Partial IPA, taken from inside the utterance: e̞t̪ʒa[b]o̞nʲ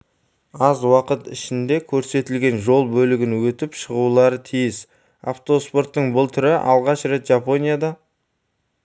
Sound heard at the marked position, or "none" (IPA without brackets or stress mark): p